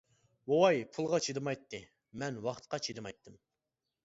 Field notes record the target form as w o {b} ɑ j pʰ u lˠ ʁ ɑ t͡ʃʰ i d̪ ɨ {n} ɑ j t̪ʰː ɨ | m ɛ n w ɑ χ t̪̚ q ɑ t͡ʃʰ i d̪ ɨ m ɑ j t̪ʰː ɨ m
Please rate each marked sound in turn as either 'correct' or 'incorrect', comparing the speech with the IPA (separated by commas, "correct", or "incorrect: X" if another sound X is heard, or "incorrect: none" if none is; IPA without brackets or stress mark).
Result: incorrect: w, incorrect: m